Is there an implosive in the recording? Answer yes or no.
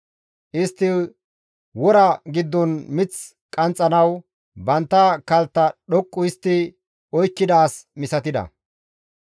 yes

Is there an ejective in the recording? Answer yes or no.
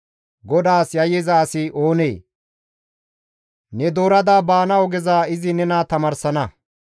no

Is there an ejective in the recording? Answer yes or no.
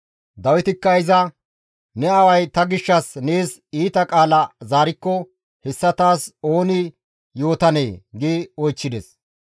yes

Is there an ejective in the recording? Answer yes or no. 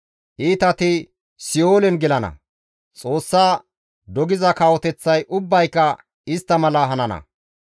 yes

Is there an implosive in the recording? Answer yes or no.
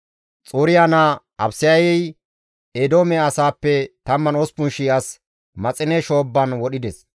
yes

